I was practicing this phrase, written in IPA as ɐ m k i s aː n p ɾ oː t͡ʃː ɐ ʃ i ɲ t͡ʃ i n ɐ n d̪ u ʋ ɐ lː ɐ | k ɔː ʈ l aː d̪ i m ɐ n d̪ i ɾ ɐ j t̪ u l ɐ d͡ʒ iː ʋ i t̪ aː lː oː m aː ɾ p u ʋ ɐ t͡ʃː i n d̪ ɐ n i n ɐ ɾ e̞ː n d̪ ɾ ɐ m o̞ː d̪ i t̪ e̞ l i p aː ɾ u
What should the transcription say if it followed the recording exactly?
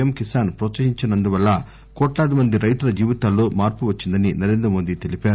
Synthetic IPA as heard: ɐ m k i s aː n p ɾ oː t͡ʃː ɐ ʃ i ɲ t͡ʃ i n ɐ n d̪ u ʋ ɐ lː ɐ | k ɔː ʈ l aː d̪ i m ɐ n d̪ i ɾ ɐ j t̪ u l ɐ d͡ʒ iː ʋ i t̪ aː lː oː m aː ɾ p u ʋ ɐ t͡ʃː i n d̪ ɐ n i n ɐ ɾ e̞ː n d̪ ɾ ɐ m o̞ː d̪ i t̪ e̞ l i p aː ɾ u

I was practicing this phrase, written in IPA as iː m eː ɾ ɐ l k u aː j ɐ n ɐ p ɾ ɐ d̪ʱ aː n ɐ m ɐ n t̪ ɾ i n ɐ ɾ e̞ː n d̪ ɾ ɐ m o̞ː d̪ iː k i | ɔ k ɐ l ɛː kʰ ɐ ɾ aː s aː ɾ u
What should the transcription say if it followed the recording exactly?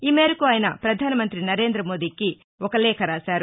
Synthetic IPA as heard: iː m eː ɾ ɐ k u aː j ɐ n ɐ p ɾ ɐ d̪ʱ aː n ɐ m ɐ n t̪ ɾ i n ɐ ɾ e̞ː n d̪ ɾ ɐ m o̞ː d̪ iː k i | ɔ k ɐ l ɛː kʰ ɐ ɾ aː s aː ɾ u

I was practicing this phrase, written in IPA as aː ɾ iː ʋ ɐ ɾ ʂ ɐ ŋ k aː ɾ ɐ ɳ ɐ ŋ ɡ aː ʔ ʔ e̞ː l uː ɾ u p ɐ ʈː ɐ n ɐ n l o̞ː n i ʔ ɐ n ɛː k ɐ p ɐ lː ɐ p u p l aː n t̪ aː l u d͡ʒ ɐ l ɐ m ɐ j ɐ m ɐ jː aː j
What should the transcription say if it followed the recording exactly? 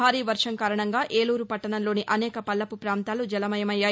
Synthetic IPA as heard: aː ɾ iː ʋ ɐ ɾ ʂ ɐ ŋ k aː ɾ ɐ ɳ ɐ ŋ ɡ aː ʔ ʔ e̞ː l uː ɾ u p ɐ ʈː ɐ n ɐ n l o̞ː n i ʔ ɐ n ɛː k ɐ p ɐ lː ɐ p u p ɾ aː n t̪ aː l u d͡ʒ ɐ l ɐ m ɐ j ɐ m ɐ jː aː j

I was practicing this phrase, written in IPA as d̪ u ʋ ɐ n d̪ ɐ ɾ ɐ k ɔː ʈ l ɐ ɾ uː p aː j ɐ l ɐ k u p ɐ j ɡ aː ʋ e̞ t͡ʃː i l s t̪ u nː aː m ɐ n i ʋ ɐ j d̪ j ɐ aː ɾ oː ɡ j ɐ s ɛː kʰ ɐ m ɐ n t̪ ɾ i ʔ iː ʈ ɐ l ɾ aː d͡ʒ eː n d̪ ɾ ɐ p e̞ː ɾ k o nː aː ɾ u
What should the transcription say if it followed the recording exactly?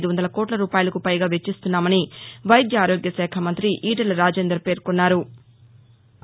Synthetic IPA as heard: d̪ u ʋ ɐ n d̪ ɐ l ɐ k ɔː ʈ l ɐ ɾ uː p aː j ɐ l ɐ k u p ɐ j ɡ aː ʋ e̞ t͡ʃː i s t̪ u nː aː m ɐ n i ʋ ɐ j d̪ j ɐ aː ɾ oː ɡ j ɐ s ɛː kʰ ɐ m ɐ n t̪ ɾ i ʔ iː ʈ ɐ l ɾ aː d͡ʒ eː n d̪ ɾ ɐ p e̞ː ɾ k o nː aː ɾ u

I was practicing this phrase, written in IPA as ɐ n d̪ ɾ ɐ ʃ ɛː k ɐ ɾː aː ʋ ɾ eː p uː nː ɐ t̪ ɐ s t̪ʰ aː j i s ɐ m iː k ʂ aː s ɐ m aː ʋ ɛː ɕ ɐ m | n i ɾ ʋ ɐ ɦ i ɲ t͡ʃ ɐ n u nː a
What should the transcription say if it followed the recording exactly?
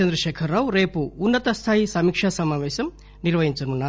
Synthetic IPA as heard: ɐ n d̪ ɾ ɐ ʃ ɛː kʰ ɐ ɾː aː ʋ ɾ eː p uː nː ɐ t̪ ɐ s t̪ʰ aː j i s ɐ m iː k ʂ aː s ɐ m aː ʋ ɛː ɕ ɐ m | n i ɾ ʋ ɐ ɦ i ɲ t͡ʃ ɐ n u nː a

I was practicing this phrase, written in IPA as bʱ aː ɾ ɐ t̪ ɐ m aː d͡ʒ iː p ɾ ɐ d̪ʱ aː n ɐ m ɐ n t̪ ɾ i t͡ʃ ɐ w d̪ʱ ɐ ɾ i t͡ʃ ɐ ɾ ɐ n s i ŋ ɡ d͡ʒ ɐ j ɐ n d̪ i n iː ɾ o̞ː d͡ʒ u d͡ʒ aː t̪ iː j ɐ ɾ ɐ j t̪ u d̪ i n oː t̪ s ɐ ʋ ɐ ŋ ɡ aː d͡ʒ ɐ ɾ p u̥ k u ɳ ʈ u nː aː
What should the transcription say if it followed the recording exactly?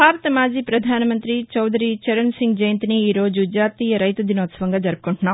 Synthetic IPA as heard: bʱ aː ɾ ɐ t̪ ɐ m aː d͡ʒ iː p ɾ ɐ d̪ʱ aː n ɐ m ɐ n t̪ ɾ i t͡ʃ ɐ w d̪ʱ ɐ ɾ i t͡ʃ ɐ ɾ ɐ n s i ŋ ɡ d͡ʒ ɐ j ɐ n t̪ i n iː ɾ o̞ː d͡ʒ u d͡ʒ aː t̪ iː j ɐ ɾ ɐ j t̪ u d̪ i n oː t̪ s ɐ ʋ ɐ ŋ ɡ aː d͡ʒ ɐ ɾ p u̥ k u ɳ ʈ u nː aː

